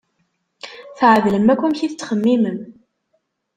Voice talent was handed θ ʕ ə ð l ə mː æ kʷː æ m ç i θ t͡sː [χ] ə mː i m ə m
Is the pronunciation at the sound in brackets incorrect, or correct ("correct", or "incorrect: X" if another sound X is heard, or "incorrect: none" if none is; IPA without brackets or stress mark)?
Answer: correct